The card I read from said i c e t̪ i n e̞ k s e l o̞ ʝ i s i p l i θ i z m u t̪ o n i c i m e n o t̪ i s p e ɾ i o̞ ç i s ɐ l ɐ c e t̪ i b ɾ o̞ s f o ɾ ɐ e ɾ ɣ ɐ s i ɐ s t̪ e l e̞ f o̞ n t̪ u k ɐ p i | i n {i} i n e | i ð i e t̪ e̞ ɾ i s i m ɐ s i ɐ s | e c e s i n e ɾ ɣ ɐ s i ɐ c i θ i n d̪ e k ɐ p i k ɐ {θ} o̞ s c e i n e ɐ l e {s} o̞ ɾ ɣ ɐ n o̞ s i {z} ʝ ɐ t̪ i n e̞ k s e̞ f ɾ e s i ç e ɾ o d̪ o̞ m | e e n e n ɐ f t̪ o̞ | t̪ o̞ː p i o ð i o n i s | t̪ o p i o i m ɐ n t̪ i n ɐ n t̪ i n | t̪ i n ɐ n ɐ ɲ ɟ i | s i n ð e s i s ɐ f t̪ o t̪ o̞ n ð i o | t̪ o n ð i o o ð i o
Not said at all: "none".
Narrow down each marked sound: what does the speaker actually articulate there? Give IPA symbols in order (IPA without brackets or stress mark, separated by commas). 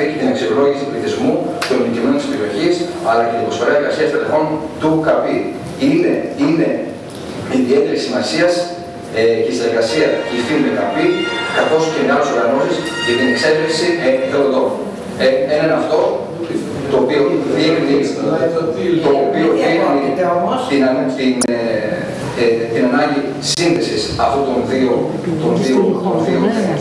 e, θ, s, s